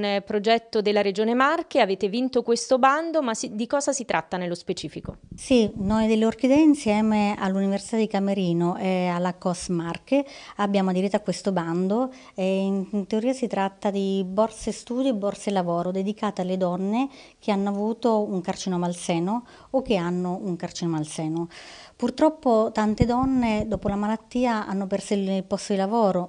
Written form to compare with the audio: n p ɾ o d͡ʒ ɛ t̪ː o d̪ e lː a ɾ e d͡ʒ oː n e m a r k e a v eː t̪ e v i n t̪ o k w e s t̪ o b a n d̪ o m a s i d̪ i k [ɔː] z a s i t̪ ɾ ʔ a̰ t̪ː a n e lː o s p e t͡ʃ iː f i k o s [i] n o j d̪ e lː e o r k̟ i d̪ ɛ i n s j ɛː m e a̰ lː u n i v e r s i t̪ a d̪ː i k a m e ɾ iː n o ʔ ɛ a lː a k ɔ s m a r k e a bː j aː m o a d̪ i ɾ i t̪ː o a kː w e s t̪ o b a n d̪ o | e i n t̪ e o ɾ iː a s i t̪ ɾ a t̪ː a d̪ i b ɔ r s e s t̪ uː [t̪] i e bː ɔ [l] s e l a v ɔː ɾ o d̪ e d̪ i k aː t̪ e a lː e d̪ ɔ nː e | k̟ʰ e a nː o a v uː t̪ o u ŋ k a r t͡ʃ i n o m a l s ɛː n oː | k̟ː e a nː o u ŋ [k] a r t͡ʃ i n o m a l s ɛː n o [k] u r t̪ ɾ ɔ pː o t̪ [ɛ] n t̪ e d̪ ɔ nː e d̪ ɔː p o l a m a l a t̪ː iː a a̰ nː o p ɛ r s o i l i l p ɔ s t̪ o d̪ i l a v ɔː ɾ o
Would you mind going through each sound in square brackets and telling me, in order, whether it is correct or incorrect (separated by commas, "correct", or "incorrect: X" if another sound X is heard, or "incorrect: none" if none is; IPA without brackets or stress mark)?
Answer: correct, correct, incorrect: d̪, incorrect: r, correct, incorrect: p, incorrect: a